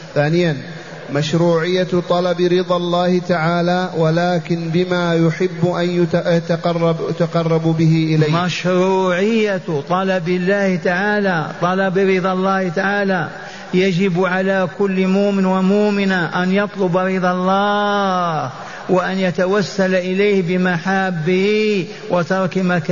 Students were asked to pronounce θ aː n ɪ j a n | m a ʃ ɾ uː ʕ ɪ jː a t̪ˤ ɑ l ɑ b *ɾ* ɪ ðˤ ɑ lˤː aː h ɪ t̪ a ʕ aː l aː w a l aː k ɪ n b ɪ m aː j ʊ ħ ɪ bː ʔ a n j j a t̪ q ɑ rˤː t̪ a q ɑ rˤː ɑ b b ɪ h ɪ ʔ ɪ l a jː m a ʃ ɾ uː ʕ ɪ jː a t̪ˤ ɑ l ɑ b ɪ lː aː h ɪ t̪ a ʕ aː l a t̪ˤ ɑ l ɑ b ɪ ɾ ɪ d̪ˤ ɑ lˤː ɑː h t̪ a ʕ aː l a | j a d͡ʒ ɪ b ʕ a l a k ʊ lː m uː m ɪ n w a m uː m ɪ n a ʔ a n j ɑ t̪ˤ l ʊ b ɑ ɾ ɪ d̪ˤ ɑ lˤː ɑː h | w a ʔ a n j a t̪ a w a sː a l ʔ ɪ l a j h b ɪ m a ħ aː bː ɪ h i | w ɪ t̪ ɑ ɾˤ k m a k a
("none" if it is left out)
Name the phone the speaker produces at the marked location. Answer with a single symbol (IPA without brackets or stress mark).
ɾ